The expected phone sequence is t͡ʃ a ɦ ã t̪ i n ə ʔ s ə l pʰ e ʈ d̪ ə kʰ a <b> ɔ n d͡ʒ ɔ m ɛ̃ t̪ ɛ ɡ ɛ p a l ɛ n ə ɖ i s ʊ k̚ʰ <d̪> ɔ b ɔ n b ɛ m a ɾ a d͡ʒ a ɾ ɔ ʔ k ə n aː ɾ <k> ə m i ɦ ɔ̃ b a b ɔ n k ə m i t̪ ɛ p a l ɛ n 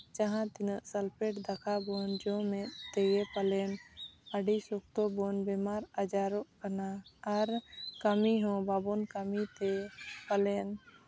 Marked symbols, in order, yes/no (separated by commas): yes, no, yes